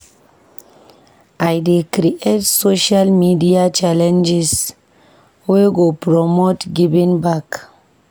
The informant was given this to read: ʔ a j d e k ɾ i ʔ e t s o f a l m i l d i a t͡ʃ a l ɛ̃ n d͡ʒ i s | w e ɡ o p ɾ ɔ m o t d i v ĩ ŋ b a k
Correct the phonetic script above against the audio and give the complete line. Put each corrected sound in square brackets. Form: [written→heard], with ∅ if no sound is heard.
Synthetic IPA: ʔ a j d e k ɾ i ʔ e t s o [f→ʃ] a l m i [l→∅] d i a t͡ʃ a l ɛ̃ n d͡ʒ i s | w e ɡ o p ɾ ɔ m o t [d→ɡ] i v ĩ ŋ b a k